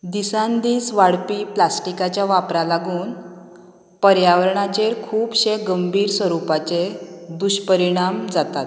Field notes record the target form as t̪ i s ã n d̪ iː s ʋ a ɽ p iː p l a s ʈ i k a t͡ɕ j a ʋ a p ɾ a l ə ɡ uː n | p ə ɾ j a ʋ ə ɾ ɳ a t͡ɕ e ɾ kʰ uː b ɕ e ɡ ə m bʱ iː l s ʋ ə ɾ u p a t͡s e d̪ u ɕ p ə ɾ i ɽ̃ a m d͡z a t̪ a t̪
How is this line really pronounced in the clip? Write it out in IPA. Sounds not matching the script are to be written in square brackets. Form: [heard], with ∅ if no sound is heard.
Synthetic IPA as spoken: [d̪] i s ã n d̪ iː s ʋ a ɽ p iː p l a s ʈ i k a t͡ɕ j a ʋ a p ɾ a l [a] ɡ uː n | p ə ɾ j a ʋ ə ɾ ɳ a t͡ɕ e ɾ kʰ uː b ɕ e ɡ ə m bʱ iː [ɾ] s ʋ ə ɾ u p a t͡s e d̪ u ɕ p ə ɾ i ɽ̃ a m d͡z a t̪ a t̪